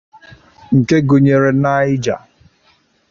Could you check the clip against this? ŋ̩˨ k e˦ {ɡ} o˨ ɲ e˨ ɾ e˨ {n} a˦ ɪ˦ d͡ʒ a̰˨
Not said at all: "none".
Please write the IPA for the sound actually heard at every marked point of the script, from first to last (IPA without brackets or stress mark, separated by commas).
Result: ɡ, n